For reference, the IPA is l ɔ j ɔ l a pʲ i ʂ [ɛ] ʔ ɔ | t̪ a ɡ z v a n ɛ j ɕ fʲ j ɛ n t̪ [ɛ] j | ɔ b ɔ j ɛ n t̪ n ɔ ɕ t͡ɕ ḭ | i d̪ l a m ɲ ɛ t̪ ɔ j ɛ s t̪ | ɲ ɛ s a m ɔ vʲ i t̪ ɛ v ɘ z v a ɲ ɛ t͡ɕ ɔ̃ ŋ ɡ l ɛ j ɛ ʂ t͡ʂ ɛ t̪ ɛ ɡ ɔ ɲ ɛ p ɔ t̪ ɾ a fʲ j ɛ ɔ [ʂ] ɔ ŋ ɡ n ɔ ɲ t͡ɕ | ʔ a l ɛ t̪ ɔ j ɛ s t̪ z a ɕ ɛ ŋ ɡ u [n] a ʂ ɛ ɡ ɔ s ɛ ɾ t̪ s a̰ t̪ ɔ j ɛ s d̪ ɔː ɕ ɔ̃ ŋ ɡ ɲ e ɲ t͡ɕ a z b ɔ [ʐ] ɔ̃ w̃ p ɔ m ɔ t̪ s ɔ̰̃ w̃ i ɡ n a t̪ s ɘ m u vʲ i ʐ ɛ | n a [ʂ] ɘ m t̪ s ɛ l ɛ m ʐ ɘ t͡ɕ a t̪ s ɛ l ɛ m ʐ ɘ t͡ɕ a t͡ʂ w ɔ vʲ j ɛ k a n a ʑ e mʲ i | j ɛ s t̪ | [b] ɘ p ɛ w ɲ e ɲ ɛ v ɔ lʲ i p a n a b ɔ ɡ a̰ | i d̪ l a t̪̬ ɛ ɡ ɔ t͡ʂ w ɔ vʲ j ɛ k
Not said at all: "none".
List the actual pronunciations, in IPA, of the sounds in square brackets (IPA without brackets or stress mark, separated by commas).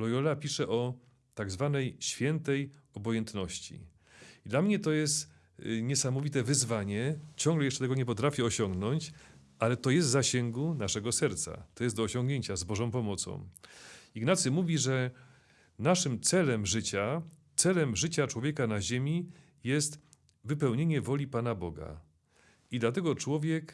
ɛ, ɛ, ɕ, n, ʐ, ʂ, v